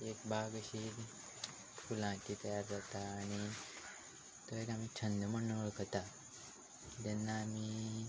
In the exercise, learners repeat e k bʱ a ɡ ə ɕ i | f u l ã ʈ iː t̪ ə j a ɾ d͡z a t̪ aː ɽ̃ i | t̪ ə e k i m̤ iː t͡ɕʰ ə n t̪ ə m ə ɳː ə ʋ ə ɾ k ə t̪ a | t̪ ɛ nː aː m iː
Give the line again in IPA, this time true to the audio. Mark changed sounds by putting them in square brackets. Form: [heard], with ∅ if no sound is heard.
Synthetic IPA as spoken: e k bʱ a ɡ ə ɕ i | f u l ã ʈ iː t̪ ə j a ɾ d͡z a t̪ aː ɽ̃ i | t̪ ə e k [a] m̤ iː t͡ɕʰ ə n [d̪] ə m ə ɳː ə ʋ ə [ɭ] k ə t̪ a | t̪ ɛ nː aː m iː

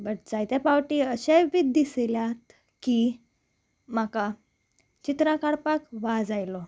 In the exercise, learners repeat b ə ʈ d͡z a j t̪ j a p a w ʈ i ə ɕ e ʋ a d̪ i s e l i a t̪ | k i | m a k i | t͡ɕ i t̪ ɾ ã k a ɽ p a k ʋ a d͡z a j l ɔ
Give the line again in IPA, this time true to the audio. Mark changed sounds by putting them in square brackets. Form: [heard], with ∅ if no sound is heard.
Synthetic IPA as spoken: b ə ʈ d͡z a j t̪ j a p a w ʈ i ə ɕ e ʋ [i] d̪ i s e l [j] a t̪ | k i | m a k [a] | t͡ɕ i t̪ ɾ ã k a ɽ p a k ʋ a d͡z a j l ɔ

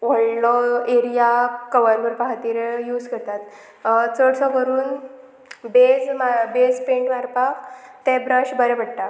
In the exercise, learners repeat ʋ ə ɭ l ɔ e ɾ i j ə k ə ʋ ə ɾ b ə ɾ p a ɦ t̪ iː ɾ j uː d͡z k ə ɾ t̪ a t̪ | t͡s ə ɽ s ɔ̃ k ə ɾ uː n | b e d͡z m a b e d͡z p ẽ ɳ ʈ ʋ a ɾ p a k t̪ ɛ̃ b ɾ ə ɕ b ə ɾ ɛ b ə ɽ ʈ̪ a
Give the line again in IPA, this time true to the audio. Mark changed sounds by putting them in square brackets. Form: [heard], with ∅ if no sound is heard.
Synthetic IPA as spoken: ʋ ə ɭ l ɔ e ɾ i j [a] k ə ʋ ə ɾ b ə ɾ p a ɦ t̪ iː ɾ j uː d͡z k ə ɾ t̪ a t̪ | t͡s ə ɽ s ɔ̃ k ə ɾ uː n | b e d͡z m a b e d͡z p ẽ ɳ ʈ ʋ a ɾ p a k t̪ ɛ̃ b ɾ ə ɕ b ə ɾ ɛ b ə ɽ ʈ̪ a

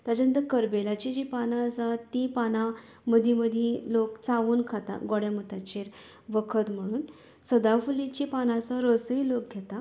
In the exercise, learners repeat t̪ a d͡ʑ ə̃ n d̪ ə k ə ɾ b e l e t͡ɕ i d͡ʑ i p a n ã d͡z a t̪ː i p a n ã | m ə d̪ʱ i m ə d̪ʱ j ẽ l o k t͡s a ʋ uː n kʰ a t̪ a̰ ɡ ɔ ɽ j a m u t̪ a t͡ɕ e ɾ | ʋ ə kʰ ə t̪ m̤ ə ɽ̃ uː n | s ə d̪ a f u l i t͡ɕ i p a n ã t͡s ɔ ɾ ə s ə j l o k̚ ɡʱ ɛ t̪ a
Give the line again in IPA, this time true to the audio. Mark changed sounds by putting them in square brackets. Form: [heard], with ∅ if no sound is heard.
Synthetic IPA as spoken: t̪ a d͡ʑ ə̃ n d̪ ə k ə ɾ b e l [a] t͡ɕ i d͡ʑ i p a n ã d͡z a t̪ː i p a n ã | m ə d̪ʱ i m ə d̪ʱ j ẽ l o k t͡s a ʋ uː n kʰ a t̪ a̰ ɡ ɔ ɽ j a m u t̪ a t͡ɕ e ɾ | ʋ ə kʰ ə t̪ m̤ ə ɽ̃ uː n | s ə d̪ a f u l i t͡ɕ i p a n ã t͡s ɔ ɾ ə s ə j l o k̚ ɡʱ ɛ t̪ a

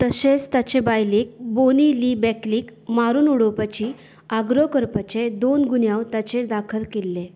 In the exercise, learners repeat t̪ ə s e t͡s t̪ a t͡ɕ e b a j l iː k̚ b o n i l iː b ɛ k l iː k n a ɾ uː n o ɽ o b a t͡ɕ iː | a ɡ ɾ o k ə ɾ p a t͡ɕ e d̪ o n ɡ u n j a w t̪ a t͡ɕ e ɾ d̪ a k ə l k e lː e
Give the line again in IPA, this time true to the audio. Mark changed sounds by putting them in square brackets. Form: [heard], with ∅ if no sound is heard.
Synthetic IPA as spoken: t̪ ə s e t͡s t̪ a t͡ɕ e b a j l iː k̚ b o n i l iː b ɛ k l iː k [m] a ɾ uː n [u] ɽ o [p] a t͡ɕ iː | a ɡ ɾ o k ə ɾ p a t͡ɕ e d̪ o n ɡ u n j a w t̪ a t͡ɕ e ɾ d̪ a [kʰ] ə l k e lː e

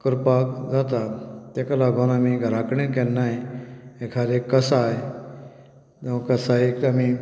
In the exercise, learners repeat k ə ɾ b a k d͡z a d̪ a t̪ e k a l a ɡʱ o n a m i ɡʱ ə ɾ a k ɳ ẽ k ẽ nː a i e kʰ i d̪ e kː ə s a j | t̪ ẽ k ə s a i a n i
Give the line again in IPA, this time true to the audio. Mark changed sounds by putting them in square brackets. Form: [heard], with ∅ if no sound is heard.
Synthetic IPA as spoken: k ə ɾ [p] a k d͡z a [t̪] a t̪ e k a l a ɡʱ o n a m i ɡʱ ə ɾ a k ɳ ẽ k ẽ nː a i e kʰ [a] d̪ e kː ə s a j | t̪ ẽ k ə s a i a [m] i

